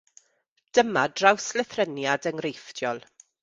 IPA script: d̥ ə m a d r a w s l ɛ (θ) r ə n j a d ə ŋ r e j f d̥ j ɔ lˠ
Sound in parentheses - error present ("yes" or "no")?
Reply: no